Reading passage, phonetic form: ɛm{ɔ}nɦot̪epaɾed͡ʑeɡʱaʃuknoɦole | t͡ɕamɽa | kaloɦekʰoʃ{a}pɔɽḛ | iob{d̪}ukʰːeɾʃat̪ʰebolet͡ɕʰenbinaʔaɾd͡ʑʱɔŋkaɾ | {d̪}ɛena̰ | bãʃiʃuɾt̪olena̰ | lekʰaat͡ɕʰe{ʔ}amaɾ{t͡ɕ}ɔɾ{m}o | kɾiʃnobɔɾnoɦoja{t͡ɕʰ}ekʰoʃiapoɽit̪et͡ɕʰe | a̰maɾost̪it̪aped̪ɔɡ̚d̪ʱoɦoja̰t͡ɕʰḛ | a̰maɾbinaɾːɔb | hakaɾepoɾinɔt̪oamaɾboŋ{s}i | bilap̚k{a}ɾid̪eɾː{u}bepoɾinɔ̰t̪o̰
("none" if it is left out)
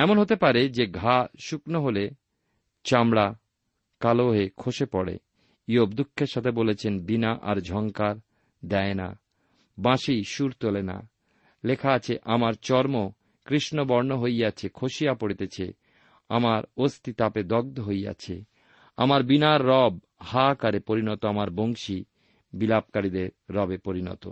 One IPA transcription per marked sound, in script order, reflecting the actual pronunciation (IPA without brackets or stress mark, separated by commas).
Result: o, e, d̪, d̪, ʔ, t͡ɕ, m, t͡ɕʰ, ʃ, a, ɔ